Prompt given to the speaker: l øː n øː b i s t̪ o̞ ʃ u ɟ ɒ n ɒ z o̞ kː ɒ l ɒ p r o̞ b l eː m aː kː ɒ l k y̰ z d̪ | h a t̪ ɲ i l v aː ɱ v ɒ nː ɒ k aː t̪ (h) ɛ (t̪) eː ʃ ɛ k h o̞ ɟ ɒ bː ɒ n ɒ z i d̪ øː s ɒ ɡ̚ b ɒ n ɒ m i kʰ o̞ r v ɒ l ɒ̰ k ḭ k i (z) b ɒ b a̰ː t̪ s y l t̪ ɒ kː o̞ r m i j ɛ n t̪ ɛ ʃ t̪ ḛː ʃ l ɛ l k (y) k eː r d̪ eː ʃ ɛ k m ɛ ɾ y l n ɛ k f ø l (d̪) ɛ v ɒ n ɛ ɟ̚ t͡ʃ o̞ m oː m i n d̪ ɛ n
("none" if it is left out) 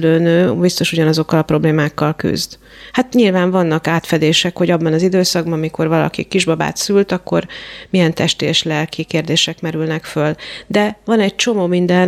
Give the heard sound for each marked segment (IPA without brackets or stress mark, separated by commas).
f, d̪, ʒ, i, d̪